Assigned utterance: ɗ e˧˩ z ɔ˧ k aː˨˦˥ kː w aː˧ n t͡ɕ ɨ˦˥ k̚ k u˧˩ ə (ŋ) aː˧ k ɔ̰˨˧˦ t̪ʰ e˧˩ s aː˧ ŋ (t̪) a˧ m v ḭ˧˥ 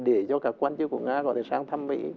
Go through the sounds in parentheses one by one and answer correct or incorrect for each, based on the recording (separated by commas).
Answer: correct, incorrect